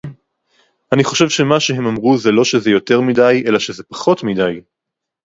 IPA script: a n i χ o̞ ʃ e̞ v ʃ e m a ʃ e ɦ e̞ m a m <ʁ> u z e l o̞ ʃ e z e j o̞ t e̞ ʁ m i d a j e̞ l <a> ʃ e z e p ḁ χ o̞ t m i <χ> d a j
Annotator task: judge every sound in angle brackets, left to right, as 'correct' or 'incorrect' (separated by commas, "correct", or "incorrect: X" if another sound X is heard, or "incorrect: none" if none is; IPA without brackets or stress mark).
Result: correct, correct, incorrect: none